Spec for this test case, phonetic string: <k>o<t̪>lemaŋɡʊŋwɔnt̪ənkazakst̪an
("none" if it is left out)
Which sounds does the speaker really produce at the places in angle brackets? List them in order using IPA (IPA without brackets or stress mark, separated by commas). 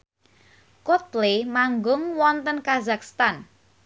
k, t̪